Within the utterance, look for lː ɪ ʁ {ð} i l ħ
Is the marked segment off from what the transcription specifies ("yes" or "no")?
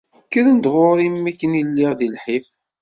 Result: no